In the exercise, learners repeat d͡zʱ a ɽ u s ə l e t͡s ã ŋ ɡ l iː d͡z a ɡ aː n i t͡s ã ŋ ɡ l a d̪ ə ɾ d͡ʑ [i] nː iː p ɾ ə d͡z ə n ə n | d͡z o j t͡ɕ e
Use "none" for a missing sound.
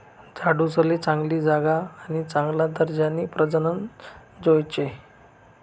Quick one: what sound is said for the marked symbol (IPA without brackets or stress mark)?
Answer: a